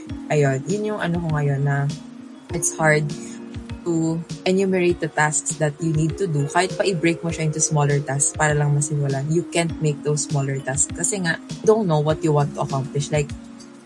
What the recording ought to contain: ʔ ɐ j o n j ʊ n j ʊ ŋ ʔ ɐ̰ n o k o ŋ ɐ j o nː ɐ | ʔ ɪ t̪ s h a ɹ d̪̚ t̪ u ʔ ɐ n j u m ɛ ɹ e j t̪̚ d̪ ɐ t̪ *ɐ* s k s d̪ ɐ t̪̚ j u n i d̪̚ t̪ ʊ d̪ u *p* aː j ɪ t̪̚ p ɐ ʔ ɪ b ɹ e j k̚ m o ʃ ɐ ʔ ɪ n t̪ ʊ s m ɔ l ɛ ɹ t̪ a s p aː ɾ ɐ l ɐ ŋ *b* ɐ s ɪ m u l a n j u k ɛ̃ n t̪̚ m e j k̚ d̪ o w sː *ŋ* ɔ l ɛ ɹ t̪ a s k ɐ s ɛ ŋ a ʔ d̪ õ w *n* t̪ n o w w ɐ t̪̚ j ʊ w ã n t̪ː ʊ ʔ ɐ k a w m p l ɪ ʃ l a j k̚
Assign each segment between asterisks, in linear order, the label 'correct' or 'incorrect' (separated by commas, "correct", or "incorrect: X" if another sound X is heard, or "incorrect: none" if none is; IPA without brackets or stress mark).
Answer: incorrect: a, incorrect: k, incorrect: m, incorrect: m, correct